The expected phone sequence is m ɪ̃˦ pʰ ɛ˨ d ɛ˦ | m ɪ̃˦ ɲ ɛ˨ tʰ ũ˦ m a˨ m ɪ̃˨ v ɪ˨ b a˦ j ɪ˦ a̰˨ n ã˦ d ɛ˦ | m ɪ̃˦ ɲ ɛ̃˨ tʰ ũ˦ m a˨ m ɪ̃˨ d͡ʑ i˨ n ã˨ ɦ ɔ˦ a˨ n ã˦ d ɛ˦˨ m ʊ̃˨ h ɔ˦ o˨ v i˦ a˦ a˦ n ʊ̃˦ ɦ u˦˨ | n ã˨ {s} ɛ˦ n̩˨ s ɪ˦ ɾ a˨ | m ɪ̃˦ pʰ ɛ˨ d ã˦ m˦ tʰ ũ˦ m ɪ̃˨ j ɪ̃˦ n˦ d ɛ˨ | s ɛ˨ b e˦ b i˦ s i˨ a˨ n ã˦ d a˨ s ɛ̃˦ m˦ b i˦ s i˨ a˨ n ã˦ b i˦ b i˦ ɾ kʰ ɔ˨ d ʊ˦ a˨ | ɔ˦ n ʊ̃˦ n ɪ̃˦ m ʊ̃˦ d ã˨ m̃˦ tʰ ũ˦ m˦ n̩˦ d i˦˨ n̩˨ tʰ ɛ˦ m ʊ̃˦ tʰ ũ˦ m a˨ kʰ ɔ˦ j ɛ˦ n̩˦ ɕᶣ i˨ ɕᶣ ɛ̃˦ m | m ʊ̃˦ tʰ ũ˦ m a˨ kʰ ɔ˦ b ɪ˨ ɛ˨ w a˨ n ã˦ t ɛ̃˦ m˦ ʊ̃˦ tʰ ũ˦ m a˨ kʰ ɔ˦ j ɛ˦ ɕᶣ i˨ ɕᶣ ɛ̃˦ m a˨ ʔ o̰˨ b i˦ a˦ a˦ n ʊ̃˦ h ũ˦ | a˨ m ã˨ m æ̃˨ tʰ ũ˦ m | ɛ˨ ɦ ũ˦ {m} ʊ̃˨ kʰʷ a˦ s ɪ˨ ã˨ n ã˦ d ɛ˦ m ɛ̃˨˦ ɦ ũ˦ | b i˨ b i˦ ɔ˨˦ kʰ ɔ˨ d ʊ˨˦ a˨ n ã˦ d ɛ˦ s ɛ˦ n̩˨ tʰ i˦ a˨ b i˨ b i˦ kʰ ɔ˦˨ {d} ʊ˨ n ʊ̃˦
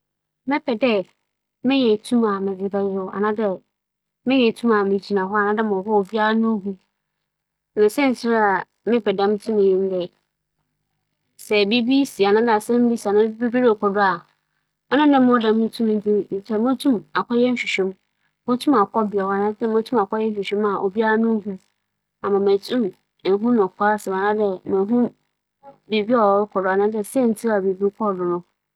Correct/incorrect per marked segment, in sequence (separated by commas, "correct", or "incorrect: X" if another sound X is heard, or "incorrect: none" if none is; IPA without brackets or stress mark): correct, incorrect: n, correct